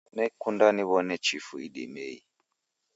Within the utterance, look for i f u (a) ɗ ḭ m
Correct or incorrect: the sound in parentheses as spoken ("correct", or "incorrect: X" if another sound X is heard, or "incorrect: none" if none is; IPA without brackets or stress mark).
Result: incorrect: i